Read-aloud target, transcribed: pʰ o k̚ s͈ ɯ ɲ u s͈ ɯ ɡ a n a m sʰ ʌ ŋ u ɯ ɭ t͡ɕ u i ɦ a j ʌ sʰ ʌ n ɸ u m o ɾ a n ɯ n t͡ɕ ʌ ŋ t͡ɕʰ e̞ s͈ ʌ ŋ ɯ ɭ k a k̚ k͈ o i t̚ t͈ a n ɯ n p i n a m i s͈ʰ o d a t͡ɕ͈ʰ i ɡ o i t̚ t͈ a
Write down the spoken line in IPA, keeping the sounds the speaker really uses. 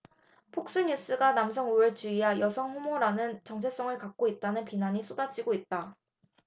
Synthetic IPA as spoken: pʰ o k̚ s͈ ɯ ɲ u s͈ ɯ ɡ a n a m sʰ ʌ ŋ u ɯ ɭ t͡ɕ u i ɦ a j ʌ sʰ ʌ ŋ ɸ u m o ɾ a n ɯ n t͡ɕ ʌ ŋ t͡ɕʰ e̞ s͈ ʌ ŋ ɯ ɭ k a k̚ k͈ o i t̚ t͈ a n ɯ n p i n a ɲ i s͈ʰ o d a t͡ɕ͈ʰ i ɡ o i t̚ t͈ a